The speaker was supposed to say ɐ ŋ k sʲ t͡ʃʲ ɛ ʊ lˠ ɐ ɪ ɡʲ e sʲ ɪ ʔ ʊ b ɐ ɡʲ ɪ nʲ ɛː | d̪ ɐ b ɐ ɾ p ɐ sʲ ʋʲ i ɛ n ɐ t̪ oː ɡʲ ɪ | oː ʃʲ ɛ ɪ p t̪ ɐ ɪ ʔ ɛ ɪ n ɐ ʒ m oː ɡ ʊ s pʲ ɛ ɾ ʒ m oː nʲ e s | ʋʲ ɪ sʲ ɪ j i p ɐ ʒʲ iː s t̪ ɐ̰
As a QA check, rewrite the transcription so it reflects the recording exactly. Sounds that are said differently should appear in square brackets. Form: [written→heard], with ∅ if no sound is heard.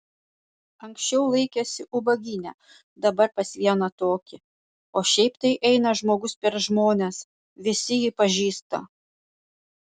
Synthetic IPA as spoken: ɐ ŋ k sʲ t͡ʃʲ ɛ ʊ lˠ ɐ ɪ [ɡʲ→kʲ] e sʲ ɪ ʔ ʊ b ɐ ɡʲ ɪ nʲ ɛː | d̪ ɐ b ɐ ɾ p ɐ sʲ ʋʲ i ɛ n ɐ t̪ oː [ɡʲ→kʲ] ɪ | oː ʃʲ ɛ ɪ p t̪ ɐ ɪ ʔ ɛ ɪ n ɐ ʒ m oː ɡ ʊ s pʲ ɛ ɾ ʒ m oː nʲ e s | ʋʲ ɪ sʲ ɪ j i p ɐ ʒʲ iː s t̪ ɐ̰